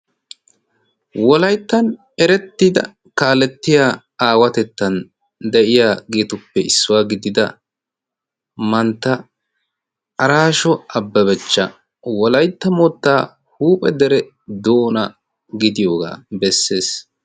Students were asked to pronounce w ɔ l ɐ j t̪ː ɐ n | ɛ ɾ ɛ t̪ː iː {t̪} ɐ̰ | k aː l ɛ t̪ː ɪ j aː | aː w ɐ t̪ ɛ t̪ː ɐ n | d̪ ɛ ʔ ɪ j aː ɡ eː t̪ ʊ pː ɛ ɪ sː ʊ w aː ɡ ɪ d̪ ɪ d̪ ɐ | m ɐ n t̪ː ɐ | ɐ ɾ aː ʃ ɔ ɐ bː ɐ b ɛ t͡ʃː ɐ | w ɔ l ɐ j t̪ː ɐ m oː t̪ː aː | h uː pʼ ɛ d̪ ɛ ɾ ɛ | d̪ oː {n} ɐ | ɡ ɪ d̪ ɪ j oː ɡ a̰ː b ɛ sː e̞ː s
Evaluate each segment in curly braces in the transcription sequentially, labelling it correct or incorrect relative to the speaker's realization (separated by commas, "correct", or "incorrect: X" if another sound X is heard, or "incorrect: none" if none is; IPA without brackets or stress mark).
incorrect: d̪, correct